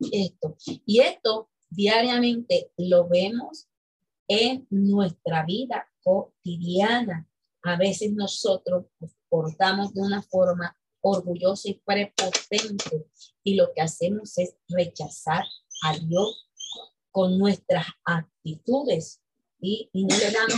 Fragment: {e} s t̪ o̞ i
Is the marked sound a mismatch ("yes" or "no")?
no